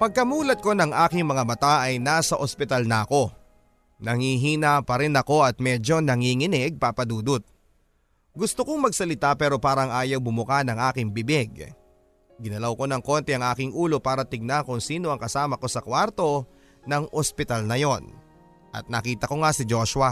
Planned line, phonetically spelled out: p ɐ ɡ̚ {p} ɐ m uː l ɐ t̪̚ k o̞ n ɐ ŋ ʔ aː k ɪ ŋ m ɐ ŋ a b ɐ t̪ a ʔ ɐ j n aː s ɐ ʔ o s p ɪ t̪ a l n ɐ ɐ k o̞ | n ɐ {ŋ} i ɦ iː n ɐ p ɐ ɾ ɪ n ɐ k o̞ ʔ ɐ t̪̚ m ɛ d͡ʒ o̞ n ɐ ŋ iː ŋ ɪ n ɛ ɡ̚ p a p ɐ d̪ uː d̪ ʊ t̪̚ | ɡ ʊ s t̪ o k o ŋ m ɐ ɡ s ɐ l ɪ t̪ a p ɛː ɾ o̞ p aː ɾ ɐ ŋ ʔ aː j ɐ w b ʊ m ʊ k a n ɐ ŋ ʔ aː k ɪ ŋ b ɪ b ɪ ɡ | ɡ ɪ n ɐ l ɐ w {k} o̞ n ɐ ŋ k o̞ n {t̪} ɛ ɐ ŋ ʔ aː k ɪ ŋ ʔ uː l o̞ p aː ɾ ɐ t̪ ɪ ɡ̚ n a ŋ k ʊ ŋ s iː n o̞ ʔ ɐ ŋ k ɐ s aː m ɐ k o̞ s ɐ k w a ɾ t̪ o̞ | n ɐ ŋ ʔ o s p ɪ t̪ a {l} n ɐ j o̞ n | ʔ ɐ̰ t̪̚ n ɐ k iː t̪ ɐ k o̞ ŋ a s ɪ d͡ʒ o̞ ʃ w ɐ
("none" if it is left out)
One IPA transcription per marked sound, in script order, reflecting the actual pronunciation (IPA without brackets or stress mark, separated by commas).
k, ŋ, k, t̪, l